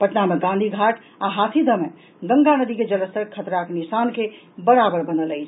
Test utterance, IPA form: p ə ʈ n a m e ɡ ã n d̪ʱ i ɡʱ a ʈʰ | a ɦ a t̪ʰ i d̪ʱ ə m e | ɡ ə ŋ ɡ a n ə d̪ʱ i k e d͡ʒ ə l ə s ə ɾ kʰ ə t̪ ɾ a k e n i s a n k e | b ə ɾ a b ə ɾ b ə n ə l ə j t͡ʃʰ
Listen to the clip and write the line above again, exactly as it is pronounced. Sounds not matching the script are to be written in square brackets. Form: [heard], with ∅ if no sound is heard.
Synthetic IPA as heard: p ə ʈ n a m e ɡ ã n d̪ʱ i ɡʱ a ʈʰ | a ɦ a t̪ʰ i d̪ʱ ə m e | ɡ ə ŋ ɡ a n ə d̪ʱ i k e d͡ʒ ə l ə s ə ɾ kʰ ə t̪ ɾ a k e n i s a n k e | b ə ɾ a b ə ɾ b ə n ə l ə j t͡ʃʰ